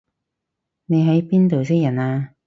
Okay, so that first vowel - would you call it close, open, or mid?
mid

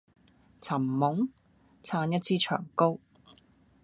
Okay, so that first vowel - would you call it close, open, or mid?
open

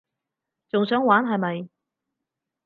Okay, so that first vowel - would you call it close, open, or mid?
close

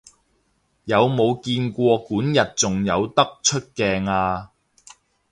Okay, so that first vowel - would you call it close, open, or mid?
open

